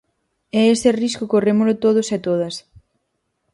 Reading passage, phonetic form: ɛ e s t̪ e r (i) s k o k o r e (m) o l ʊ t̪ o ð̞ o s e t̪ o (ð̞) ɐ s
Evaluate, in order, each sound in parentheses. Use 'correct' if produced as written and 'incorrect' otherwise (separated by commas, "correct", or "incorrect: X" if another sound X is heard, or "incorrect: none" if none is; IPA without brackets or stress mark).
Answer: correct, correct, correct